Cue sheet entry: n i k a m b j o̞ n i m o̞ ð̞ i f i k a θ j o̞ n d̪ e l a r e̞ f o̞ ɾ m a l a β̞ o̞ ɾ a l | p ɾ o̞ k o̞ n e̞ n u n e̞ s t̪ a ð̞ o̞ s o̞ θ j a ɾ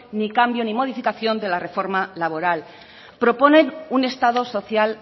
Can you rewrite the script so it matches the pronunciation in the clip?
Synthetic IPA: n i k a m b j o̞ n i m o̞ ð̞ i f i k a θ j o̞ n d̪ e l a r e̞ f o̞ ɾ m a l a β̞ o̞ ɾ a l | p ɾ o̞ p o̞ n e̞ n u n e̞ s t̪ a ð̞ o̞ s o̞ θ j a l